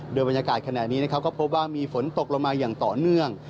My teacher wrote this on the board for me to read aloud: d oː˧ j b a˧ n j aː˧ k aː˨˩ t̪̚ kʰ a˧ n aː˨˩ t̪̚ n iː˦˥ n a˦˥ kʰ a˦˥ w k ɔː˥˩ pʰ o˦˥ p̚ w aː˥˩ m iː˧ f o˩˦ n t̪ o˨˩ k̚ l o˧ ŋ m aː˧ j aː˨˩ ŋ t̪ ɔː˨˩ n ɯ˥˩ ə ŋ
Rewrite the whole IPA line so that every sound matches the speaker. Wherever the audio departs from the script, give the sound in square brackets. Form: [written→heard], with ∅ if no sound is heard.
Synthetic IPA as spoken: d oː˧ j b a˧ n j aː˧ k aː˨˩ t̪̚ kʰ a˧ n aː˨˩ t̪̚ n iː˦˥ n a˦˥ kʰ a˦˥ w k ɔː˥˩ pʰ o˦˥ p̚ w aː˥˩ m iː˧ f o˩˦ n t̪ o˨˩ k̚ l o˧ ŋ m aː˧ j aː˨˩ ŋ t̪ ɔː˨˩ n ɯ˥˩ ə ŋ